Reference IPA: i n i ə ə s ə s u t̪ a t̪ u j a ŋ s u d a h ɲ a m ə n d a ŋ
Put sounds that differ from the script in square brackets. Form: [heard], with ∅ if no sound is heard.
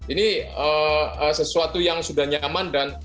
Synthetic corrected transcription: i n i ə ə s ə s u [∅] a t̪ u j a ŋ s u d a h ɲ a m [a] n d a [n]